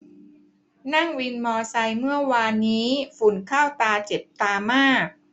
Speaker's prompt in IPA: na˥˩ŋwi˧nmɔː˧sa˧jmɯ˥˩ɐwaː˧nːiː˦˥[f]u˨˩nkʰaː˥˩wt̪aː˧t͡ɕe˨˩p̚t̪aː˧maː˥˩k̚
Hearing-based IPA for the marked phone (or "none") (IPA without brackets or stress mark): f